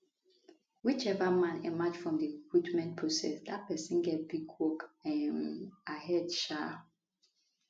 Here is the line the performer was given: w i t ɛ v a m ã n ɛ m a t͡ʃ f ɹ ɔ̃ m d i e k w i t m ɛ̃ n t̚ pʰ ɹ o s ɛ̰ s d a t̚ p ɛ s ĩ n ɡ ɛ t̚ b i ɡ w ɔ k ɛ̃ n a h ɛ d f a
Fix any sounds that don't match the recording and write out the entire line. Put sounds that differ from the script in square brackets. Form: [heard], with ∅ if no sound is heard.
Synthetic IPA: w i [t͡ʃ] ɛ v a m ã n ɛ m a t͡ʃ f ɹ ɔ̃ m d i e k w i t m ɛ̃ n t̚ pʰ ɹ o s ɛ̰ s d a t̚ p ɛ s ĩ n ɡ ɛ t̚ b i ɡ w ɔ k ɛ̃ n a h ɛ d [ʃ] a